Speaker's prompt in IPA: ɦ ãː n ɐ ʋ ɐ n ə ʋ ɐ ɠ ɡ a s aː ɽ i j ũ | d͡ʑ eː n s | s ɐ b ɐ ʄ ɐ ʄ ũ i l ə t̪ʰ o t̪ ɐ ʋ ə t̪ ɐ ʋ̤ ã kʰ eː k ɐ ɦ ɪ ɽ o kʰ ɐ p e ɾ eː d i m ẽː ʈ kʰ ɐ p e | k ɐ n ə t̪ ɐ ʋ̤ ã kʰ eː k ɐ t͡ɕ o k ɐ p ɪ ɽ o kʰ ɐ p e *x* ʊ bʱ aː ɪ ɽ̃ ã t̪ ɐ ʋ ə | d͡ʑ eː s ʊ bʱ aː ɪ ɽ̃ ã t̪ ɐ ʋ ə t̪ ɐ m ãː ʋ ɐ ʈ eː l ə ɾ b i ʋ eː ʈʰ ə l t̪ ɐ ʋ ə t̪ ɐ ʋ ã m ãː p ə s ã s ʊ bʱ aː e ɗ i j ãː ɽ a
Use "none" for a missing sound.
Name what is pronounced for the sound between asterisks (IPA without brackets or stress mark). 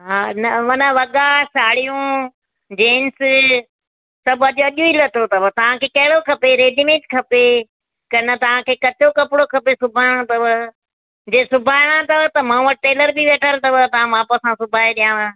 s